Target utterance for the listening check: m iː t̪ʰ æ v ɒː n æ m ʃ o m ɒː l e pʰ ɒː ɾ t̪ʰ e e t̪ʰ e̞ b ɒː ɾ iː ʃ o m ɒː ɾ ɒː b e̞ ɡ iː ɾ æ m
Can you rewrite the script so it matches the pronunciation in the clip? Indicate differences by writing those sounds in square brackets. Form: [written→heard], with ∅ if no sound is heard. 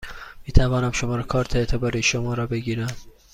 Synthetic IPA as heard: m iː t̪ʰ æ v ɒː n æ m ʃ o m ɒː [l→ɾ] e [pʰ→kʰ] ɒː ɾ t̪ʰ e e t̪ʰ e̞ b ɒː ɾ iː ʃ o m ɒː ɾ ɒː b e̞ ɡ iː ɾ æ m